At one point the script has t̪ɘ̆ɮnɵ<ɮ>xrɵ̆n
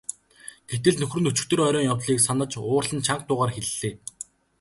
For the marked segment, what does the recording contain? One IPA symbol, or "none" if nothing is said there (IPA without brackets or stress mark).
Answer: none